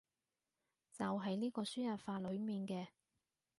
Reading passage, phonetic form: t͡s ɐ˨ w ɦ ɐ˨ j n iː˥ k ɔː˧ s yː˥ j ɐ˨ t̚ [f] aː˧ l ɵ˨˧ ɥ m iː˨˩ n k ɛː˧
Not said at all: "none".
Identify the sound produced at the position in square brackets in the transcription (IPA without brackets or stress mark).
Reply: f